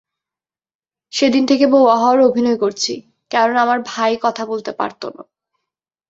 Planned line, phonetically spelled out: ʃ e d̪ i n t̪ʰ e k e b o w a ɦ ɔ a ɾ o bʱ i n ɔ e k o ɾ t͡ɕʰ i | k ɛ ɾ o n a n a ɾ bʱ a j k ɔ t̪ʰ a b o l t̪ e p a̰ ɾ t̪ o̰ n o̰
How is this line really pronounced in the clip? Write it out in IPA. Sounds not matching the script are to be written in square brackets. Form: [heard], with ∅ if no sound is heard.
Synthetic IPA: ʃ e d̪ i n t̪ʰ e k e b o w a ɦ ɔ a ɾ o bʱ i n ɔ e k o ɾ t͡ɕʰ i | k ɛ ɾ o n a [m] a ɾ bʱ a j k ɔ t̪ʰ a b o l t̪ e p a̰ ɾ t̪ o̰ n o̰